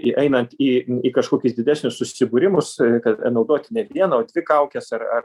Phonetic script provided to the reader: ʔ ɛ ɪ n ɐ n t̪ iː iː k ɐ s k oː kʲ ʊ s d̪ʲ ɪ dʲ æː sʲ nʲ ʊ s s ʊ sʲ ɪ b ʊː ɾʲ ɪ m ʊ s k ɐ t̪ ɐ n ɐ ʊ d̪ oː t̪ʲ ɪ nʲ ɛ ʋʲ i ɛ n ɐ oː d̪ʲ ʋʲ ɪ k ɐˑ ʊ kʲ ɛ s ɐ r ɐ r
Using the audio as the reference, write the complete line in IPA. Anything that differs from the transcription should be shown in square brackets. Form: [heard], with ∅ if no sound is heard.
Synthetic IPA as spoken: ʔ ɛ ɪ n ɐ n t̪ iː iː k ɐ [ʃ] k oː kʲ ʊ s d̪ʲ ɪ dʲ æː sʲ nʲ ʊ s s ʊ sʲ ɪ b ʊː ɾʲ ɪ m ʊ s k ɐ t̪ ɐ n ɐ ʊ d̪ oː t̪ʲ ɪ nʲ ɛ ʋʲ i ɛ n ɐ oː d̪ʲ ʋʲ ɪ k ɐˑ ʊ kʲ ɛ s ɐ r ɐ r